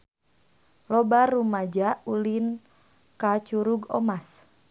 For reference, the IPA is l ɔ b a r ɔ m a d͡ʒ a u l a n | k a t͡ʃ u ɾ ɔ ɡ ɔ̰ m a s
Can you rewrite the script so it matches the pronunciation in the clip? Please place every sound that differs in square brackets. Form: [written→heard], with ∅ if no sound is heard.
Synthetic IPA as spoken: l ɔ b a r [ɔ→u] m a d͡ʒ a u l [a→i] n | k a t͡ʃ u ɾ [ɔ→u] ɡ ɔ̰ m a s

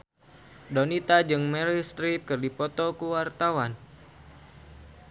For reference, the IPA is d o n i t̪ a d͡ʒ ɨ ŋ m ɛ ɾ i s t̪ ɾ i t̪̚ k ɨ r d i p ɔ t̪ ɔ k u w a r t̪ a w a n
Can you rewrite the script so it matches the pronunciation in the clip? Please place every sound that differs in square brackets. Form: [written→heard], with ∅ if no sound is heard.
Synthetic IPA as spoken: d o n i t̪ a d͡ʒ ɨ ŋ m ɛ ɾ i s t̪ ɾ i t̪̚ k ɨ r d i p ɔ t̪ ɔ k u w a r t̪ a w a n

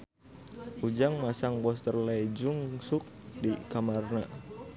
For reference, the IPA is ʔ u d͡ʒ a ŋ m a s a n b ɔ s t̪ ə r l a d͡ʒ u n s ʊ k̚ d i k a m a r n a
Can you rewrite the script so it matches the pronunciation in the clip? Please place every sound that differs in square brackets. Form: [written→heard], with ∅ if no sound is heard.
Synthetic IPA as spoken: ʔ u d͡ʒ a ŋ m a s a [n→ŋ] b ɔ s t̪ ə r l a d͡ʒ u [n→ŋ] s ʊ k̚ d i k a m a r n a

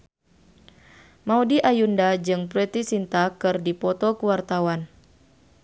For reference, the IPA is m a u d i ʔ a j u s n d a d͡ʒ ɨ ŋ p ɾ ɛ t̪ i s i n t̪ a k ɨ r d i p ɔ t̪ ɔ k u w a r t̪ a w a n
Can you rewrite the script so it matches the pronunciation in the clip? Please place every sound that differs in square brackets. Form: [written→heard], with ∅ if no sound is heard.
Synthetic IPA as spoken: m a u d i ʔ a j u [s→∅] n d a d͡ʒ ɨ ŋ p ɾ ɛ t̪ i s i n t̪ a k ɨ r d i p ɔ t̪ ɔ k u w a r t̪ a w a n

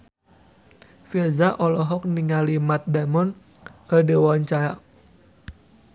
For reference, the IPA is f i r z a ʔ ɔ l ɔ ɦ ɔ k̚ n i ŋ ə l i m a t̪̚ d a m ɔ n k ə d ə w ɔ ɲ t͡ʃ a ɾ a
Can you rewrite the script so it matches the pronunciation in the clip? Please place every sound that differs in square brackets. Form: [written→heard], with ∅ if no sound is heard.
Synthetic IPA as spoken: f i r z a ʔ ɔ l ɔ ɦ ɔ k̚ n i ŋ [ə→a] l i m a t̪̚ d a m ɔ n k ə d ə w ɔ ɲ t͡ʃ a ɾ a

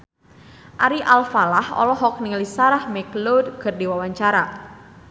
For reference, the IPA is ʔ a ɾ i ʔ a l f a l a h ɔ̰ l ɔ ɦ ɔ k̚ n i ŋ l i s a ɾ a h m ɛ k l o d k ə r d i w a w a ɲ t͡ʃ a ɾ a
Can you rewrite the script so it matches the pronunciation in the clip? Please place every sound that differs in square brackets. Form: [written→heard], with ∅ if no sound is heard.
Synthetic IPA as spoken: ʔ a ɾ i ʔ a l f a l a h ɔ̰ l ɔ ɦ ɔ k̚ n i ŋ l i s a ɾ a h m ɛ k l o d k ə r d i w a w a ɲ t͡ʃ a ɾ a

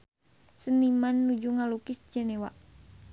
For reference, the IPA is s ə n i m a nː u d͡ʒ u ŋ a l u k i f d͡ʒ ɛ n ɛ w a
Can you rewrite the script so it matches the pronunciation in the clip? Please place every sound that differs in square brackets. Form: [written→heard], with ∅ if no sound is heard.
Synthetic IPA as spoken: s ə n i m a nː u d͡ʒ u ŋ a l u k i [f→s] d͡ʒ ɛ n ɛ w a

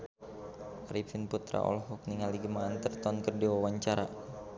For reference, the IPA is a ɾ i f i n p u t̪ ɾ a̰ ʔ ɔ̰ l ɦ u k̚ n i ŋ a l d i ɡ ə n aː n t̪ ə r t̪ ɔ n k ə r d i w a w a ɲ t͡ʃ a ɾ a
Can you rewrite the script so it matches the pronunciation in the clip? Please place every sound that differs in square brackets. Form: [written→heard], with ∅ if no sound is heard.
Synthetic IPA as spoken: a ɾ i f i n p u t̪ ɾ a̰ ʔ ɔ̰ l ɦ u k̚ n i ŋ a l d i ɡ ə [n→m] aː n t̪ ə r t̪ ɔ n k ə r d i w a w a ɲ t͡ʃ a ɾ a

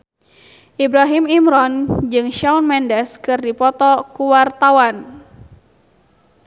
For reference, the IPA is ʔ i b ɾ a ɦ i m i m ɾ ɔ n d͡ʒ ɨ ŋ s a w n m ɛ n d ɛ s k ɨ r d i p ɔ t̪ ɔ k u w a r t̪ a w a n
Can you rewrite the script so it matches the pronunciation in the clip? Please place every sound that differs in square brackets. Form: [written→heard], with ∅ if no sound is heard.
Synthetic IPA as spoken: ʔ i b ɾ a ɦ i m i m ɾ ɔ n d͡ʒ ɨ ŋ [s→ʃ] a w n m ɛ n d ɛ s k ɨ r d i p ɔ t̪ ɔ k u w a r t̪ a w a n

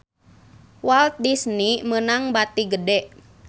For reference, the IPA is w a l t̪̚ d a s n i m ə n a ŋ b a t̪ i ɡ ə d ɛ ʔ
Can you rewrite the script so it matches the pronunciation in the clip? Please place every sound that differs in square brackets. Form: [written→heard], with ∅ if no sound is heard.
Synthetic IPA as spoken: w a l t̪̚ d [a→i] s n i m ə n a ŋ b a t̪ i ɡ ə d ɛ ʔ

